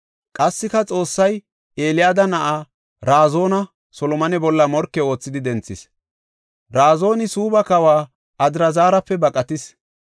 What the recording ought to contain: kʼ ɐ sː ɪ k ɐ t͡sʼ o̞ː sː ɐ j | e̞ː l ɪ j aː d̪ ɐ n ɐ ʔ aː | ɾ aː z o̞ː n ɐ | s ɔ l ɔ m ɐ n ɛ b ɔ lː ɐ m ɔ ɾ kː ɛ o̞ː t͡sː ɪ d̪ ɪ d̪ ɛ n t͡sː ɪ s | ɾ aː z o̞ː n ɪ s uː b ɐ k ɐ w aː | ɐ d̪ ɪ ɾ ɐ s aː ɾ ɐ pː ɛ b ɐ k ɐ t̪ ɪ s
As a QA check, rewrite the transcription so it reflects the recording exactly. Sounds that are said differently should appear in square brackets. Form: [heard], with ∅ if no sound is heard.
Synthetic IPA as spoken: kʼ ɐ sː ɪ k ɐ t͡sʼ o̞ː sː ɐ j | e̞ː l ɪ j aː d̪ ɐ n ɐ ʔ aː | ɾ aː z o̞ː n ɐ | s ɔ l ɔ m ɐ n ɛ b ɔ lː ɐ m ɔ ɾ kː ɛ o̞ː t͡sː ɪ d̪ ɪ d̪ ɛ n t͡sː ɪ s | ɾ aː z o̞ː n ɪ s uː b ɐ k ɐ w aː | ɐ d̪ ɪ ɾ ɐ [z] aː ɾ ɐ pː ɛ b ɐ [kʼ] ɐ t̪ ɪ s